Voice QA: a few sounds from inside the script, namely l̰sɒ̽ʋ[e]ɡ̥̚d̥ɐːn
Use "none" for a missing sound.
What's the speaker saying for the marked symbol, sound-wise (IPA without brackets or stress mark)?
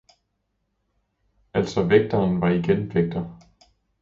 e